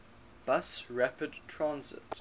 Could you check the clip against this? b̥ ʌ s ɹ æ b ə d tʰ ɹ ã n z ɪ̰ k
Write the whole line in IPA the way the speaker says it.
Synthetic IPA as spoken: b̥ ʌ s ɹ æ p ə d tʰ ɹ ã n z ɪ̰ t